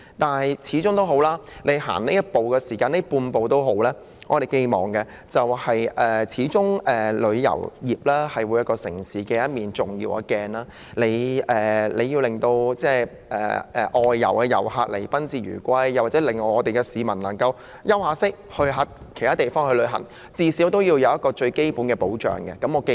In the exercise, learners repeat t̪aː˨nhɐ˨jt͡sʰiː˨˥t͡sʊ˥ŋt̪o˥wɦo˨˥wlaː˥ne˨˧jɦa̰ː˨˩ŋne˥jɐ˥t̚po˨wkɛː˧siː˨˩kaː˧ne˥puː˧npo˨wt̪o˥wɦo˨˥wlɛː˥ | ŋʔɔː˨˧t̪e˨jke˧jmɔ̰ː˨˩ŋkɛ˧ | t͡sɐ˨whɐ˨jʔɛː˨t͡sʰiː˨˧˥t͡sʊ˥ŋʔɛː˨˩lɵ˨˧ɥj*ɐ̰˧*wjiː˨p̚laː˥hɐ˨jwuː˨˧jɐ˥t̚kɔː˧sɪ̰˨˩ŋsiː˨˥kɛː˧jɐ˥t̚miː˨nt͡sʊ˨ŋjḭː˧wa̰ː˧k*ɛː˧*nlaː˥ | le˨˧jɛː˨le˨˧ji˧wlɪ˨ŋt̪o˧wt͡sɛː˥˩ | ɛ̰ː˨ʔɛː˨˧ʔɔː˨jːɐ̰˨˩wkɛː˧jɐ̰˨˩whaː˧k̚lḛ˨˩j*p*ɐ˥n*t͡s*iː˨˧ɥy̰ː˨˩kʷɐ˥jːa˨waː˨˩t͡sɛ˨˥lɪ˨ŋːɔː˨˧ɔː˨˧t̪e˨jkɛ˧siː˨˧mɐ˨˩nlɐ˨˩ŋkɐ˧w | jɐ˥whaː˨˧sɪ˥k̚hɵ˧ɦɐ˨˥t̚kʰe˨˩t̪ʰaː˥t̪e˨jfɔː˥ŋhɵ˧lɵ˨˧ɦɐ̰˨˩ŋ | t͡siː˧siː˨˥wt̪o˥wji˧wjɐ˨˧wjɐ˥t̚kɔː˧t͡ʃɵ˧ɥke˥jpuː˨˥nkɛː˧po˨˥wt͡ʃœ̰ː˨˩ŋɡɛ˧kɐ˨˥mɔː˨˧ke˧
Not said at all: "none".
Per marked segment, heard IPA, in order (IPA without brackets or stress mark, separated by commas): ɐ̰˨˩, ɛː˧, p, t͡s